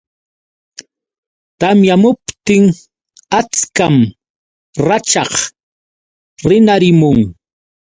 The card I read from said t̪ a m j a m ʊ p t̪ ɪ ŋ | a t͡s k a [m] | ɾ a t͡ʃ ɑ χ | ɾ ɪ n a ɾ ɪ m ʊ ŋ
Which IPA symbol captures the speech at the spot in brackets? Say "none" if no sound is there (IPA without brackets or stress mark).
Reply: m